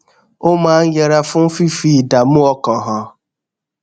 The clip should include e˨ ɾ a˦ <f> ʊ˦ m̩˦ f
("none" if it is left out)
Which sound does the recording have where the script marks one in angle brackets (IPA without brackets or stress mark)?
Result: f